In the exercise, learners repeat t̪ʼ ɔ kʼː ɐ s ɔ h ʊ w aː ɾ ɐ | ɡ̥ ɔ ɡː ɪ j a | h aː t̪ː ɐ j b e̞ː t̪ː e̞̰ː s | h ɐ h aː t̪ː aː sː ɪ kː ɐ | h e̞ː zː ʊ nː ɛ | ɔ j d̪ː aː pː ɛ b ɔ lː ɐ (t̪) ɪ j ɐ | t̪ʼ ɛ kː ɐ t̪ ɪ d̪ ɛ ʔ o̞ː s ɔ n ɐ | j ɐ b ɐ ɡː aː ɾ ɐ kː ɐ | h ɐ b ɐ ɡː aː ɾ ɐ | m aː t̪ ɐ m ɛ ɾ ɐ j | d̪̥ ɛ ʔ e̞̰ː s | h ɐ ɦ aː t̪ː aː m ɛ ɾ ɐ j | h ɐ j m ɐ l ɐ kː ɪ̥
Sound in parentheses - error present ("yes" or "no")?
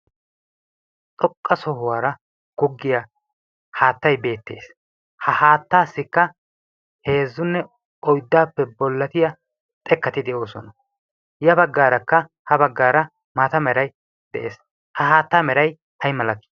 no